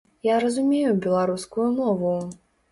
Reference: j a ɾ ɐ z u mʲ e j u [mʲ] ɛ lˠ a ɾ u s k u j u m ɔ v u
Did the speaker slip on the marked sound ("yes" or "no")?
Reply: yes